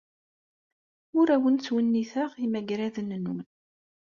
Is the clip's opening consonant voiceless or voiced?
voiced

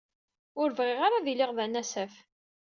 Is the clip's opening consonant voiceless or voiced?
voiced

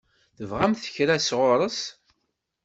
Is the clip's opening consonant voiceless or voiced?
voiceless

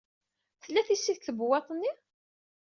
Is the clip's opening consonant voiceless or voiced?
voiceless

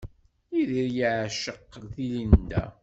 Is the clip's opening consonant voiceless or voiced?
voiced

